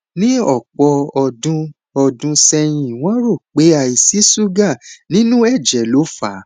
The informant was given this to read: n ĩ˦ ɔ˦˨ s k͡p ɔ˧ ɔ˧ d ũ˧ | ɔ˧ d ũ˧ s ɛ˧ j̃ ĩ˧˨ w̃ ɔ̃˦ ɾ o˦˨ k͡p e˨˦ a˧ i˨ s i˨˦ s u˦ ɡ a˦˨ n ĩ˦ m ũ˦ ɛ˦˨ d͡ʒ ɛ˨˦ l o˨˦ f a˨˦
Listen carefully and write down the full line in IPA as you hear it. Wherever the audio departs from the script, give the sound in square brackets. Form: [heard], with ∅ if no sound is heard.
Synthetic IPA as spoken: n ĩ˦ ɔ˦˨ [∅] k͡p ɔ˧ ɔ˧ d ũ˧ | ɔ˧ d ũ˧ s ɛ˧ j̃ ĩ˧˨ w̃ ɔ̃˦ ɾ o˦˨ k͡p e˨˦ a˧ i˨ s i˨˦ s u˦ ɡ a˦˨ n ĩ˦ [n] ũ˦ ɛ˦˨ d͡ʒ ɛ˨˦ l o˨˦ f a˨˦